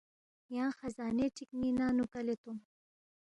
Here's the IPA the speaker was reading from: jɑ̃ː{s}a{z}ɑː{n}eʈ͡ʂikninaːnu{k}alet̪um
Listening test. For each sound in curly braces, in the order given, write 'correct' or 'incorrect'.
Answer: incorrect: x, correct, correct, correct

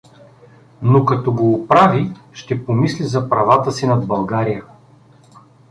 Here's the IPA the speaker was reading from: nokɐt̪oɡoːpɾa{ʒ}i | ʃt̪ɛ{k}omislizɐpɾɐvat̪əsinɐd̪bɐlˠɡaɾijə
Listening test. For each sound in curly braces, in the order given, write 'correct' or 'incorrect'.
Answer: incorrect: v, incorrect: p

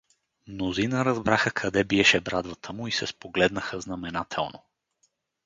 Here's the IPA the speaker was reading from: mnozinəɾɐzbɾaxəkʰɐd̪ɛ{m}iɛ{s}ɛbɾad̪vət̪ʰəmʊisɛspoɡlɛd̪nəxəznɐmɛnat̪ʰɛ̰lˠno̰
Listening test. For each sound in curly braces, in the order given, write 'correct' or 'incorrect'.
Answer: incorrect: b, incorrect: ʃ

